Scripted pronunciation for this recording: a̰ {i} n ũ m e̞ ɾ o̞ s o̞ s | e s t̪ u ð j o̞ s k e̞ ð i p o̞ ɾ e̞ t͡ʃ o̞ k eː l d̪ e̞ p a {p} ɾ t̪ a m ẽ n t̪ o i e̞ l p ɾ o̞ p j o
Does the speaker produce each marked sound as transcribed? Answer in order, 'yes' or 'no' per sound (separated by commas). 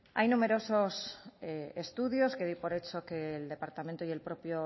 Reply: no, no